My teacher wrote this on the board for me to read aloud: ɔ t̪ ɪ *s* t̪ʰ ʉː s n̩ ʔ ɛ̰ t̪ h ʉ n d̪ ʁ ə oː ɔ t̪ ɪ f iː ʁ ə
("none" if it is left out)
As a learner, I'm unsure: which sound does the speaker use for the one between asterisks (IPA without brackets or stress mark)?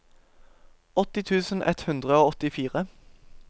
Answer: none